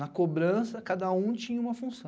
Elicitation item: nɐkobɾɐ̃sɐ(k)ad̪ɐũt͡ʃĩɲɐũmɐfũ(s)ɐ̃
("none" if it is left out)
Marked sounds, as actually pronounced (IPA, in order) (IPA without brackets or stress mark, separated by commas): k, s